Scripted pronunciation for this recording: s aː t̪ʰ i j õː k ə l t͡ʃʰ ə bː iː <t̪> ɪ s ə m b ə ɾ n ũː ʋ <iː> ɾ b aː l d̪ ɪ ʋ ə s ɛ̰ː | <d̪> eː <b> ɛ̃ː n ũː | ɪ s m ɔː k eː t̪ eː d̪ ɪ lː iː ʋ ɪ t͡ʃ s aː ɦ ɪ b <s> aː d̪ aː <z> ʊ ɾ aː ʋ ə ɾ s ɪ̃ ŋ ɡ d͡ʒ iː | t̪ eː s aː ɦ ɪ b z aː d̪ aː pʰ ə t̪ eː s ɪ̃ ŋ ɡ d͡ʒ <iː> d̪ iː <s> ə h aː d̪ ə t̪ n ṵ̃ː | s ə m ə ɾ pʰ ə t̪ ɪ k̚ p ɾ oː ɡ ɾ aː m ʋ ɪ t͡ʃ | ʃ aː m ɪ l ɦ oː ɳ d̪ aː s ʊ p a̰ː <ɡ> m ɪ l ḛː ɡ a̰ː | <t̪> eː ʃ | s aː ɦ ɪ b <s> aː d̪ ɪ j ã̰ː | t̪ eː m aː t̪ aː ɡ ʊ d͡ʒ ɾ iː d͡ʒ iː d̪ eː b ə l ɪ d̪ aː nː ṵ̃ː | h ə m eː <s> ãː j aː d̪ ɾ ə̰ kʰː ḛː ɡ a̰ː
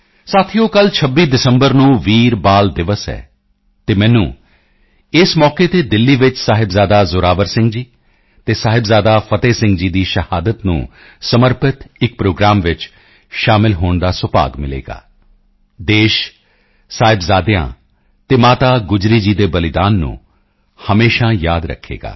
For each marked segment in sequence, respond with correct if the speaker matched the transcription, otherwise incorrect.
incorrect: d̪, correct, incorrect: t̪, incorrect: m, incorrect: z, correct, correct, incorrect: ʃ, correct, incorrect: d̪, incorrect: z, incorrect: ʃ

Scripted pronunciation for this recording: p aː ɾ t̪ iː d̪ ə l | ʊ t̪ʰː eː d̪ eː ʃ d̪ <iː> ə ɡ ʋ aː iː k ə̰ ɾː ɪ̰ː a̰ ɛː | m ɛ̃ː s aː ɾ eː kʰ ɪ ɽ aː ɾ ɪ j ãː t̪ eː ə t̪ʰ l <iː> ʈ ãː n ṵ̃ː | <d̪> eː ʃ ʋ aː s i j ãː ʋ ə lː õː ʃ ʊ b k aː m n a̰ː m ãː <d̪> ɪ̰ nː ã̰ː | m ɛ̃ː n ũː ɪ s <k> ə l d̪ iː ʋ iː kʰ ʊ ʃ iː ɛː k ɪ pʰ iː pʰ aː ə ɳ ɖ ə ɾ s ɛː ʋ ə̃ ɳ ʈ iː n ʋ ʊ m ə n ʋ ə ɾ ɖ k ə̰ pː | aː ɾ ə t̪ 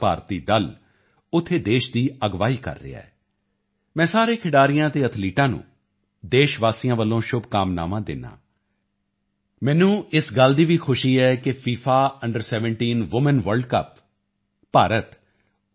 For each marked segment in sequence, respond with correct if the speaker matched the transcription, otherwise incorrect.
correct, correct, correct, correct, incorrect: ɡ

